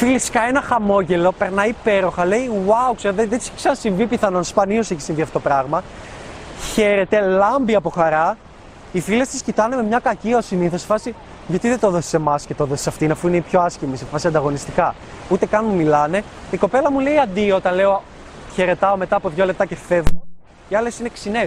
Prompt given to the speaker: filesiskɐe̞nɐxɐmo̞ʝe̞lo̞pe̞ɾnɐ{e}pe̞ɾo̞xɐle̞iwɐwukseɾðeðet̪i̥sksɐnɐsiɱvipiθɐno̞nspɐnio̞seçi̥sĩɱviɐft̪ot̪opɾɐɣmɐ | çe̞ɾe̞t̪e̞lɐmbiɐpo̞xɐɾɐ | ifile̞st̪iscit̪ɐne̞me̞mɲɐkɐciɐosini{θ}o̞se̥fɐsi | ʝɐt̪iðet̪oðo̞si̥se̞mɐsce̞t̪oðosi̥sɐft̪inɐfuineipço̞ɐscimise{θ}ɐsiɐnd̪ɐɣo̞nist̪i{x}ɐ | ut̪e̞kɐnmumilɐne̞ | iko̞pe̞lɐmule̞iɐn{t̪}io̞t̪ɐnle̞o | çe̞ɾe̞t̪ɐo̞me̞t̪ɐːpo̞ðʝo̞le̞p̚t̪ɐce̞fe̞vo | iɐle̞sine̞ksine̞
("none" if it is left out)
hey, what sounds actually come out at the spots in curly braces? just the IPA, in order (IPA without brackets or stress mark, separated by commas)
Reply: i, θ, f, k, d̪